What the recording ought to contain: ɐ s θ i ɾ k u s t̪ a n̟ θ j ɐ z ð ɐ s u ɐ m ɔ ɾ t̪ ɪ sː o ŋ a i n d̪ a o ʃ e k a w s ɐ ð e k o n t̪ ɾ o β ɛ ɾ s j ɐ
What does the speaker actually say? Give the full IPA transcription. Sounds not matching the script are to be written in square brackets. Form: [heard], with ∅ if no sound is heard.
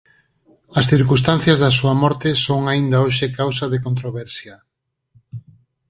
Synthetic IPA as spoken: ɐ s θ i ɾ k u s t̪ a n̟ θ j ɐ z ð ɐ s u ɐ m ɔ ɾ t̪ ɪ [s] o ŋ a i n d̪ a o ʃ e k a w s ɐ ð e k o n t̪ ɾ o β ɛ ɾ s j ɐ